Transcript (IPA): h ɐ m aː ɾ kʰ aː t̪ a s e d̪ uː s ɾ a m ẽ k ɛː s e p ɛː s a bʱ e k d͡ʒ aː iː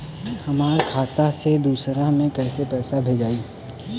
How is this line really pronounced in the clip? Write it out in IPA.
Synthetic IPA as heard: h ɐ m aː ɾ kʰ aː t̪ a s e d̪ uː s ɾ a m ẽ k ɛː s e p ɛː s a bʱ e d͡ʒ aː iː

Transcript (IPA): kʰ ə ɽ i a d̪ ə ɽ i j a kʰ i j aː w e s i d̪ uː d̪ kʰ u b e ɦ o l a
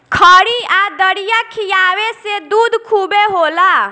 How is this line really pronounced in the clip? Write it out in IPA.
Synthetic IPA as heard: kʰ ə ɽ i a d̪ ə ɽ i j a kʰ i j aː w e s e d̪ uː d̪ kʰ u b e ɦ o l a

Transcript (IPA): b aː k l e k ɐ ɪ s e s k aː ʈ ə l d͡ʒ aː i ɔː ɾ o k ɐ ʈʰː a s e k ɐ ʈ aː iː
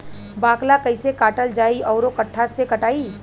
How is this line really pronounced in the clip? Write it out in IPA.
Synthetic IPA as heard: b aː k l a k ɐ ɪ s e k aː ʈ ə l d͡ʒ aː i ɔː ɾ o k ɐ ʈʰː a s e k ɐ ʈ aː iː

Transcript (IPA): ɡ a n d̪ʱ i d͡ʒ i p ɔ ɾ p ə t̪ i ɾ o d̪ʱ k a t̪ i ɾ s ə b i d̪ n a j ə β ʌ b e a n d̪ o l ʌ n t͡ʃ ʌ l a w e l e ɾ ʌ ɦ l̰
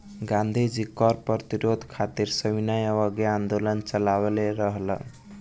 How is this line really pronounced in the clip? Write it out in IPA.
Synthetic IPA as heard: ɡ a n d̪ʱ i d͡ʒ i k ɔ ɾ p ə t̪ i ɾ o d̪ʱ kʰ a t̪ i ɾ s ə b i n a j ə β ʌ ɡ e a n d̪ o l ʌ n t͡ʃ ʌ l a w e l e ɾ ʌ ɦ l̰

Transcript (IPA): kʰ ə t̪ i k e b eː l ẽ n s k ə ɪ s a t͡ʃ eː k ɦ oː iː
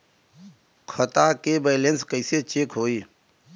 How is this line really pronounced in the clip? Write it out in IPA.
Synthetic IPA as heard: kʰ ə t̪ a k e b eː l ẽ n s k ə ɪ s e t͡ʃ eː k ɦ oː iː

